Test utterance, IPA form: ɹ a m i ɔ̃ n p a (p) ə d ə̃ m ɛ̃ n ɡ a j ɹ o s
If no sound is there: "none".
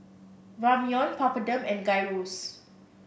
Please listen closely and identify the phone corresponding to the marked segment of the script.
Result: p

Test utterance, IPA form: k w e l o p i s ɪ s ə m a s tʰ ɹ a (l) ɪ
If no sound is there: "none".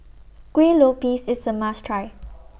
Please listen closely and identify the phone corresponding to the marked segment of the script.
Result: none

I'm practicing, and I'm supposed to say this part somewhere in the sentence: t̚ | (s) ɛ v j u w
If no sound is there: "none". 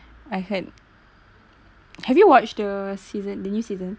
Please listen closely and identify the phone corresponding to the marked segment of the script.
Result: h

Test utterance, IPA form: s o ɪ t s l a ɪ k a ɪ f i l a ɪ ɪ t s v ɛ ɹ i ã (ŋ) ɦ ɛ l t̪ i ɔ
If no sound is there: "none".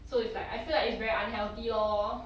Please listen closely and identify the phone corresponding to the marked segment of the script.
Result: n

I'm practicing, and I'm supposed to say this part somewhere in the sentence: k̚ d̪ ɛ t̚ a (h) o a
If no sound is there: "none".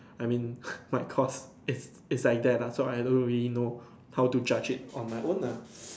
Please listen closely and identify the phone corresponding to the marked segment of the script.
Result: s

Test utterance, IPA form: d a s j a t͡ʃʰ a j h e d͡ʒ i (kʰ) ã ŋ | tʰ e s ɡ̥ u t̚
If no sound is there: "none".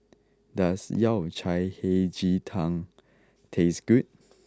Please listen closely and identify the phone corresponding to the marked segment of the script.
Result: tʰ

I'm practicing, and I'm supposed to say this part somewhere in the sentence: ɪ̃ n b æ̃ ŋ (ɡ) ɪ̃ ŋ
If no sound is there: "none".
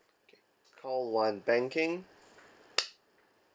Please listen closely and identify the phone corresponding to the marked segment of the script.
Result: k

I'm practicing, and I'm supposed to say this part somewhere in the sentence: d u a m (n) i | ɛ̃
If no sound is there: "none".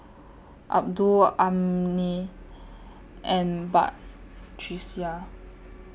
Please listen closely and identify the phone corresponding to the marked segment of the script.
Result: n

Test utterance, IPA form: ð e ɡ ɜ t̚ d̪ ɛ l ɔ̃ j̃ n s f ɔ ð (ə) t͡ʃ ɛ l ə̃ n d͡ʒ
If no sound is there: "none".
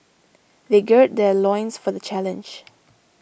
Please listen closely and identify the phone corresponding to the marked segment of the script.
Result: ə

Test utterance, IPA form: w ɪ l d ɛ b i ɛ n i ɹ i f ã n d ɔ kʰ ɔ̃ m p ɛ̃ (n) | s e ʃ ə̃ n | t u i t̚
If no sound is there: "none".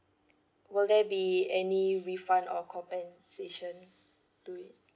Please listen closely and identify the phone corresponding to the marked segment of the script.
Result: n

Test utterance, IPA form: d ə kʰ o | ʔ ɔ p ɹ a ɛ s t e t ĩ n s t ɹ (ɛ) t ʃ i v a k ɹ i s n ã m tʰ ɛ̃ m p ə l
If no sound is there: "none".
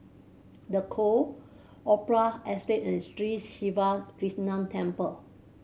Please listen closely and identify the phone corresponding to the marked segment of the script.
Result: i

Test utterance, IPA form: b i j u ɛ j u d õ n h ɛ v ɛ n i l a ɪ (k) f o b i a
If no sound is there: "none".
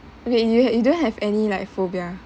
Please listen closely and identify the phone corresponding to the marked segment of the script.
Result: k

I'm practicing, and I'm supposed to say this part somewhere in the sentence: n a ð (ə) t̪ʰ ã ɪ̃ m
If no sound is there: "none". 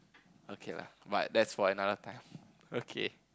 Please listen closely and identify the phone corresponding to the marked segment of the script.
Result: ə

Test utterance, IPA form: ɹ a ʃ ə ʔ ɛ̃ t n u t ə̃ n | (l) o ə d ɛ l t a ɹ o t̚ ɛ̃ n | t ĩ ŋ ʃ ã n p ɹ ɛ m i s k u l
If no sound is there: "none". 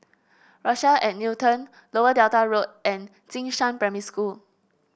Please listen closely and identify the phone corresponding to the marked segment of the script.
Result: l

